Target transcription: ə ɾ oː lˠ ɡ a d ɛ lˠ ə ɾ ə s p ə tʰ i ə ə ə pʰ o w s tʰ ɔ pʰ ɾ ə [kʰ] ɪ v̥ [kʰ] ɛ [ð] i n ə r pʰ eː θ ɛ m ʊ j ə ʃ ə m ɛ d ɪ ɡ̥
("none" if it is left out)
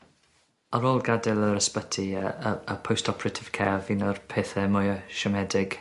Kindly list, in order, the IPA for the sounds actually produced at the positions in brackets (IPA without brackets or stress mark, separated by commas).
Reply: tʰ, kʰ, v